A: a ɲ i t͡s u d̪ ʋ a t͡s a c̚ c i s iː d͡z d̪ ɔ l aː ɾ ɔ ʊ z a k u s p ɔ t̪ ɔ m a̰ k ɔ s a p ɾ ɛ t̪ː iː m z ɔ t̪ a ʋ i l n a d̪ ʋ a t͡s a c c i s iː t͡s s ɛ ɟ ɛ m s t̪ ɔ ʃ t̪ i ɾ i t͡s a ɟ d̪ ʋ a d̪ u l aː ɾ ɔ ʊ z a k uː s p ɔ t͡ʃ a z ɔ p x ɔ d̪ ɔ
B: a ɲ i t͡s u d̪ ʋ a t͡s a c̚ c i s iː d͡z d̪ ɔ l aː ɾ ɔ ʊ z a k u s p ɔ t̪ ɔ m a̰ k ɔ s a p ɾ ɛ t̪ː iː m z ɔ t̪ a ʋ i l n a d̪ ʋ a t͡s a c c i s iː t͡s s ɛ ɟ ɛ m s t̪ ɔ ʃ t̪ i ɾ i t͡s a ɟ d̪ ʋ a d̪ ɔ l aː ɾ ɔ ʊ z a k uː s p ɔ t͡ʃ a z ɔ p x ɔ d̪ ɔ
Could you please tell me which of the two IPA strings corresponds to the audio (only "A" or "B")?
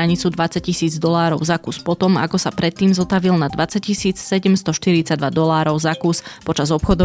B